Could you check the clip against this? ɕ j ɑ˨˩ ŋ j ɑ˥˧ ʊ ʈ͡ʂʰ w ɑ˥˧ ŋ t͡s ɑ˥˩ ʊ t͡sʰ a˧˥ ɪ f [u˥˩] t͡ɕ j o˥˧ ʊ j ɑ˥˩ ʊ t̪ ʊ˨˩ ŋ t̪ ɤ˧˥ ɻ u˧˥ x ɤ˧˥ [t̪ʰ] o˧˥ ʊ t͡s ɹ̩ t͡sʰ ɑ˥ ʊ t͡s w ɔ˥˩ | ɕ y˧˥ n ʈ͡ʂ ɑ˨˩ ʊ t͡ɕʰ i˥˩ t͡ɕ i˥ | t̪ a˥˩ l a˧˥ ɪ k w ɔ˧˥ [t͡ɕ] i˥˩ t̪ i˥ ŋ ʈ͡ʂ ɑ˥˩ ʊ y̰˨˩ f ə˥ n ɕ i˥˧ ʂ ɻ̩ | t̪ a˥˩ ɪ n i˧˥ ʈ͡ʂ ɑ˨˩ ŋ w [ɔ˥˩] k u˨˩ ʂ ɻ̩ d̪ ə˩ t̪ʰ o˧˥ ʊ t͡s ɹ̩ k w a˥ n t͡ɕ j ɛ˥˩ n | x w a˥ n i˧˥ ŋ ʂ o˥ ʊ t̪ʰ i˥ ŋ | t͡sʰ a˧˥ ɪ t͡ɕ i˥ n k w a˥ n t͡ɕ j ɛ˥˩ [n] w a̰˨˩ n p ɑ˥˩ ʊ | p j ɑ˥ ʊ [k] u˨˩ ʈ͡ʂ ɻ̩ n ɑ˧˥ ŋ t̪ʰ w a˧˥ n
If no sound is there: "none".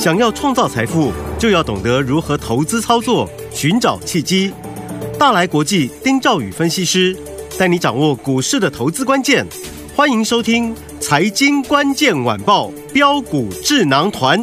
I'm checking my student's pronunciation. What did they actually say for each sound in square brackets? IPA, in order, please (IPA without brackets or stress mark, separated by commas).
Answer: u˥˩, t̪ʰ, t͡ɕ, ɔ˥˩, n, k